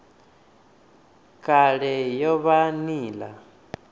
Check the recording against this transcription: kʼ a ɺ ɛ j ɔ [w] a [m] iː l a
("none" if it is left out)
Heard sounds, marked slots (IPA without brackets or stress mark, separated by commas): β, n